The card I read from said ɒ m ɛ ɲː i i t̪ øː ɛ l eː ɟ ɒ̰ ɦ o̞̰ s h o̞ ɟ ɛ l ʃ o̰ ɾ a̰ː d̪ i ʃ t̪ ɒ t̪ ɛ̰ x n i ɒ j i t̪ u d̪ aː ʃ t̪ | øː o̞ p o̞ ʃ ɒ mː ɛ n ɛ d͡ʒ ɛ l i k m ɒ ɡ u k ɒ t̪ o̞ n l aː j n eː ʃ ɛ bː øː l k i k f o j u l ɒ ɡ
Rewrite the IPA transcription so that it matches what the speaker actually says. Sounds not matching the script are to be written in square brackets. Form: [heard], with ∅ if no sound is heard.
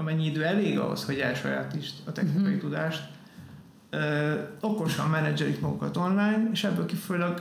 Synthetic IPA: ɒ m ɛ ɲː i i [d̪] øː ɛ l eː [ɡ] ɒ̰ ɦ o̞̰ s h o̞ ɟ ɛ l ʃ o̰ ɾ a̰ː [t̪] i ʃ t̪ ɒ t̪ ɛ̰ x n i ɒ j i t̪ u d̪ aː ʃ t̪ | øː o̞ [k] o̞ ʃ ɒ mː ɛ n ɛ d͡ʒ ɛ l i k m ɒ ɡ u k ɒ t̪ o̞ n l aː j n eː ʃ ɛ bː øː l k i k f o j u l ɒ ɡ